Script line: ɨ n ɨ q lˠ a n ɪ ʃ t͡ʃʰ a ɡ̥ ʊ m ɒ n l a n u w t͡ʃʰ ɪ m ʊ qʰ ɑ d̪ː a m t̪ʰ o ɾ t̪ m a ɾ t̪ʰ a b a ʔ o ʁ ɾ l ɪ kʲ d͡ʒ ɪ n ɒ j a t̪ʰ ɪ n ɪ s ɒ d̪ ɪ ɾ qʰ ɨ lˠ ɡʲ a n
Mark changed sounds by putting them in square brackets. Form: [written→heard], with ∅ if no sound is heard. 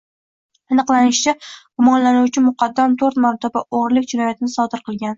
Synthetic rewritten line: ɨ n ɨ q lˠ a n ɪ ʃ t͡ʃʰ a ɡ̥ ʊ m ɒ n l a n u w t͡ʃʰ ɪ m ʊ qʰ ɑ d̪ː a m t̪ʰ o ɾ t̪ m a ɾ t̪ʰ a b a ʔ o ʁ ɾ l ɪ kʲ d͡ʒ ɪ n ɒ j a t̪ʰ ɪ n ɪ s ɒ d̪ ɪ ɾ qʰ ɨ lˠ ɡʲ a n